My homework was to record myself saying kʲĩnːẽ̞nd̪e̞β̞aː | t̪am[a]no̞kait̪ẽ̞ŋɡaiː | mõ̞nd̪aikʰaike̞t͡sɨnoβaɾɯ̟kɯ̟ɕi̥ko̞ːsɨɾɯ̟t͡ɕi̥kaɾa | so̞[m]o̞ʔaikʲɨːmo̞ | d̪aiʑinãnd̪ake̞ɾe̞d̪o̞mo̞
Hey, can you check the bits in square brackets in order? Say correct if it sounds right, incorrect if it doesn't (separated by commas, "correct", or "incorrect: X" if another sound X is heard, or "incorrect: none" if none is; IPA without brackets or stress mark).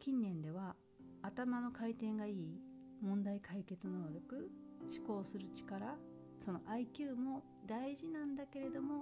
correct, incorrect: n